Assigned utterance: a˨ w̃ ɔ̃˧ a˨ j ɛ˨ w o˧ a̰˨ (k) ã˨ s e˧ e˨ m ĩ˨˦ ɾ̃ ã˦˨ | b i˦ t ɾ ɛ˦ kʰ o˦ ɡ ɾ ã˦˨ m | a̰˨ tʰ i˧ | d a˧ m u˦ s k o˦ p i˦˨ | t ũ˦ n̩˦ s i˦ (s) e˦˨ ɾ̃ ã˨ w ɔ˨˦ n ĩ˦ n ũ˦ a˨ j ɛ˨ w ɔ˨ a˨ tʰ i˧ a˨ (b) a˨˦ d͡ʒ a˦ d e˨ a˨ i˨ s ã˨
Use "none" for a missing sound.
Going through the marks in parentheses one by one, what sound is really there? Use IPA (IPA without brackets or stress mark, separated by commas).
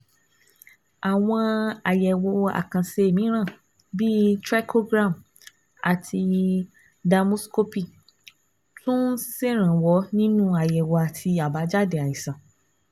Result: k, s, b